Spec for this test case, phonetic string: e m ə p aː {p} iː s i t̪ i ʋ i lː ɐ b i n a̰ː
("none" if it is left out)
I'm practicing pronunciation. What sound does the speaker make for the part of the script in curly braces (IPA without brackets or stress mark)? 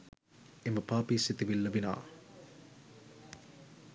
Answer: p